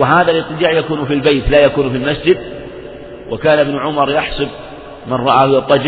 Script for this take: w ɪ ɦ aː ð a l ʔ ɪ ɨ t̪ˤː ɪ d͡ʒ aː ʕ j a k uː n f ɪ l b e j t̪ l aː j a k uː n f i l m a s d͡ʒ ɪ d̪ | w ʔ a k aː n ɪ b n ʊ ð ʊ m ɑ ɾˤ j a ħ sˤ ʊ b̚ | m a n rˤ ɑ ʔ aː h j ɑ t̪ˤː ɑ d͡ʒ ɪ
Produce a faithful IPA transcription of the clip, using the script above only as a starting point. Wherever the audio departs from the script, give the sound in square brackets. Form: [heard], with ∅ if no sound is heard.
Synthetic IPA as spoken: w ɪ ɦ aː ð a l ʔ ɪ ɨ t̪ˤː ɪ d͡ʒ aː ʕ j a k uː n f [i] l b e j t̪ l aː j a k uː n f i l m a s d͡ʒ ɪ d̪ | w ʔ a k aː n ɪ b n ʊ [ʕ] ʊ m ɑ ɾˤ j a ħ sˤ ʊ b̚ | m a n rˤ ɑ ʔ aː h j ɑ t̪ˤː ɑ d͡ʒ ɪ